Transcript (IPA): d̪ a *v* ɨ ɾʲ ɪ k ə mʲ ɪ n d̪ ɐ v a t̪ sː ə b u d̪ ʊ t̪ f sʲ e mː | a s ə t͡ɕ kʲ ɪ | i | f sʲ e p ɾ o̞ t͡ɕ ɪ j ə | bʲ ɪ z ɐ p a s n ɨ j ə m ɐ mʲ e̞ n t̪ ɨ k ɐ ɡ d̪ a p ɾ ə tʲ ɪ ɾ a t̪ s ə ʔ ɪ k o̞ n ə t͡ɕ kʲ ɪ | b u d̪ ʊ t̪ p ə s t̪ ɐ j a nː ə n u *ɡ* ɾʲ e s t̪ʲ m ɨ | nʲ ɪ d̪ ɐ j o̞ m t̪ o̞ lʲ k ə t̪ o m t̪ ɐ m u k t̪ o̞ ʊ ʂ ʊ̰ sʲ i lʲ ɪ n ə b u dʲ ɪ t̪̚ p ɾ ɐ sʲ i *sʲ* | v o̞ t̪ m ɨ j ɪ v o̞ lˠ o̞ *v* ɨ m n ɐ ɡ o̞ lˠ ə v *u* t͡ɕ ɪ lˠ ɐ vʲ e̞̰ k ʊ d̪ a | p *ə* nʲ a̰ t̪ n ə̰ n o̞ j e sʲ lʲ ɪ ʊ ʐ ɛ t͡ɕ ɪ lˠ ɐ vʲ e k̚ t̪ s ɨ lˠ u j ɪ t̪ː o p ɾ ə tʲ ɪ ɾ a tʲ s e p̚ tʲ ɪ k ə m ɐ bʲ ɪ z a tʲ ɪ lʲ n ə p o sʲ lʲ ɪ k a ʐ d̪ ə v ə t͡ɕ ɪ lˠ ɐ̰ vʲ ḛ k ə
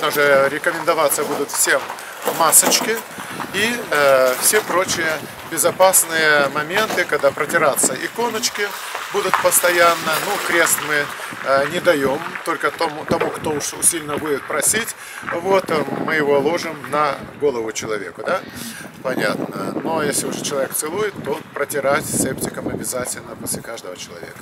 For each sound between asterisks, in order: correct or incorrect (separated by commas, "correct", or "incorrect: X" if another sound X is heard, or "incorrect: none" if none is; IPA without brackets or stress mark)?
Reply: incorrect: ʐ, incorrect: k, incorrect: tʲ, incorrect: ʐ, incorrect: ʊ, incorrect: ɐ